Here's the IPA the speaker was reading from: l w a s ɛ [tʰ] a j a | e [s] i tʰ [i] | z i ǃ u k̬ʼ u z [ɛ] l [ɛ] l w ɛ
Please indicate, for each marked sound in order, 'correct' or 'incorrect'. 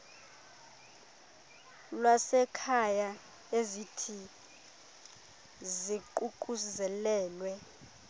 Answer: incorrect, incorrect, correct, correct, incorrect

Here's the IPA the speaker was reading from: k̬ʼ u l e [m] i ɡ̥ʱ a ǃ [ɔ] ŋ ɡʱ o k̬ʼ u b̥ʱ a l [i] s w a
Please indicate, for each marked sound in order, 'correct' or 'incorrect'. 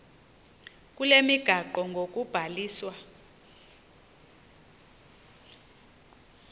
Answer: correct, correct, incorrect

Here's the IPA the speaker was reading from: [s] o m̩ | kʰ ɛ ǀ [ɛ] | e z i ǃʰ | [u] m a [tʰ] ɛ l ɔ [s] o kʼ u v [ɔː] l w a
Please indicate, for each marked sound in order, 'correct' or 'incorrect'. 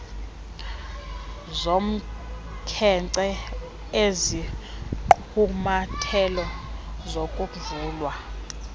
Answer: incorrect, correct, correct, correct, incorrect, incorrect

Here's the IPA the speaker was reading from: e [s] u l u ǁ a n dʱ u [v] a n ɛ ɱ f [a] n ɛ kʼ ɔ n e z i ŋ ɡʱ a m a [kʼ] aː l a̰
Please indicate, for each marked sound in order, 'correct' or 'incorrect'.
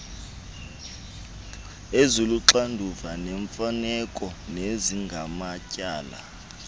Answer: incorrect, correct, correct, incorrect

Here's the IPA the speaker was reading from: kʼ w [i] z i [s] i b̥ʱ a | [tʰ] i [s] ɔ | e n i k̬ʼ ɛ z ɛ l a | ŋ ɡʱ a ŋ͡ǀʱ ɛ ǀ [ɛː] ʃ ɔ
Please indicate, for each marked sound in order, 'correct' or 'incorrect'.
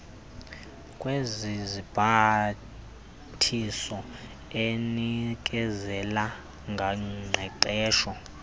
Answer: incorrect, incorrect, correct, correct, correct

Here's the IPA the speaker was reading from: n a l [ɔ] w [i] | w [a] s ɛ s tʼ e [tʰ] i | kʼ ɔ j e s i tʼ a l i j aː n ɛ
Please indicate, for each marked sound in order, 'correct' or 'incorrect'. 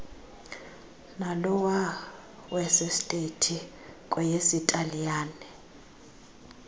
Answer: correct, incorrect, incorrect, correct

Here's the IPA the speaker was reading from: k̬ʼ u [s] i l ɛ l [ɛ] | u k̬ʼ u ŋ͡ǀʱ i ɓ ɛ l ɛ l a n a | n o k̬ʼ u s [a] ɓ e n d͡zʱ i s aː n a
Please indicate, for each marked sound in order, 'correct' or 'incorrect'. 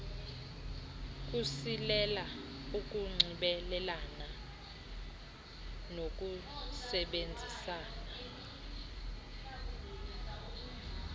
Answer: correct, incorrect, incorrect

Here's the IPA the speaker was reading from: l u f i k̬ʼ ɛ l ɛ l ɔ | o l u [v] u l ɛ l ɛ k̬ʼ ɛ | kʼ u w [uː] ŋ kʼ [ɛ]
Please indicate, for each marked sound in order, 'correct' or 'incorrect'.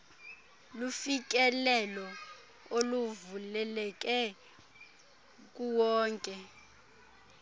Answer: correct, incorrect, correct

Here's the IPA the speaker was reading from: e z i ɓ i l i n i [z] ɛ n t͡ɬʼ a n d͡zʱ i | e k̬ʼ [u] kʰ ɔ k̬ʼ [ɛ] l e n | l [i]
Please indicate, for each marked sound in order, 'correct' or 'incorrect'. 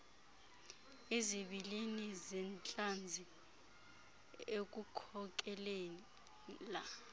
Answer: correct, correct, correct, incorrect

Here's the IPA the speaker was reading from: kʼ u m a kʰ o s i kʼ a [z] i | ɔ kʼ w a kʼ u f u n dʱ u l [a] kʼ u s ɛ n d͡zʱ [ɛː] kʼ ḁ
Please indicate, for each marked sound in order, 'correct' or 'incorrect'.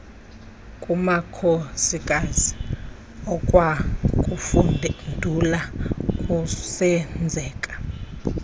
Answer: correct, correct, correct

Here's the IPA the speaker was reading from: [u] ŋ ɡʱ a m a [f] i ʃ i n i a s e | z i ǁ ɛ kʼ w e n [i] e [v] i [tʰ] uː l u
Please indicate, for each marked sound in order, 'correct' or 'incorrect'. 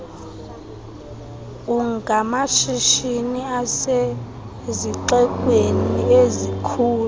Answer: correct, incorrect, correct, incorrect, incorrect

